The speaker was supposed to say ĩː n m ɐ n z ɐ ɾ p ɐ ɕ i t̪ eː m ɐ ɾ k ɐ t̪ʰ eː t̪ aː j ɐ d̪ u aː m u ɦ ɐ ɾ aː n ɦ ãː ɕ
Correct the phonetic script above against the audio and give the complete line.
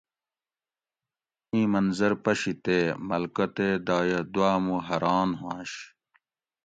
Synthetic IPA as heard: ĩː m ɐ n z ɐ ɾ p ɐ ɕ i t̪ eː m ɐ l k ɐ t̪ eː d̪ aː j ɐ d̪ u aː m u ɦ ɐ ɾ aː n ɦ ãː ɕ